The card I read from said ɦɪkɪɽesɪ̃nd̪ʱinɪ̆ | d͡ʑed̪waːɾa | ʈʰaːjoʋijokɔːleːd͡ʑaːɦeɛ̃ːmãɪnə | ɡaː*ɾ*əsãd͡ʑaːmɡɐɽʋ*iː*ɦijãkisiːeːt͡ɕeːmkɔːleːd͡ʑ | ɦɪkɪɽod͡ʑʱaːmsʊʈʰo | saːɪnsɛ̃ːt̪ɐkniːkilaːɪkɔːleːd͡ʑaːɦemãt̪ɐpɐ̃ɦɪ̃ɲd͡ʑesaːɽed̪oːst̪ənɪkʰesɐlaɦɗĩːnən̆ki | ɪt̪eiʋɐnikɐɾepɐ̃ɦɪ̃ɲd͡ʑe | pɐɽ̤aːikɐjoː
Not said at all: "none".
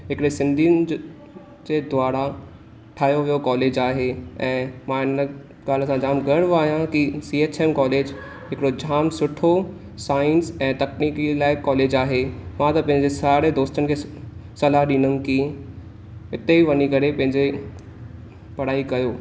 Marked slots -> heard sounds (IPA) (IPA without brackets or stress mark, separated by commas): l, aː